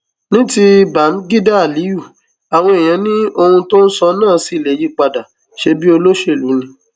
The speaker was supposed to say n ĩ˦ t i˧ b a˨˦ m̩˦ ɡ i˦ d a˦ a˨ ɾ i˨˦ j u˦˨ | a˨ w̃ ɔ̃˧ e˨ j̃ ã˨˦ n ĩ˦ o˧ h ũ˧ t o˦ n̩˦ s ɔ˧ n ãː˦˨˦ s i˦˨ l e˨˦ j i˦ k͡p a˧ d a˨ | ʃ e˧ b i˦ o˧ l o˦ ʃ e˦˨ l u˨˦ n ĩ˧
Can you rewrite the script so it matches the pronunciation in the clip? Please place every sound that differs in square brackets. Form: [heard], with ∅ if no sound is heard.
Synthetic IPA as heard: n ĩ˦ t i˧ b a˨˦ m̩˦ ɡ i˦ d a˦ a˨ [l] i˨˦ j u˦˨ | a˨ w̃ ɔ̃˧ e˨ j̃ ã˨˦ n ĩ˦ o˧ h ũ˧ t o˦ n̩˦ s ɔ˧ n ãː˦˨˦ s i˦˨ l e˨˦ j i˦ k͡p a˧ d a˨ | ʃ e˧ b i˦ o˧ l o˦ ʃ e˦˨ l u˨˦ n ĩ˧